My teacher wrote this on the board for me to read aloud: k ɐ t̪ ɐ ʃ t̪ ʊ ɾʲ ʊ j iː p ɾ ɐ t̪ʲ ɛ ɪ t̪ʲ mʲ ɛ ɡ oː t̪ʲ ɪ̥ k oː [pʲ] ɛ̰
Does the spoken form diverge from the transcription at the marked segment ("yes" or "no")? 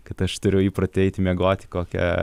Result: yes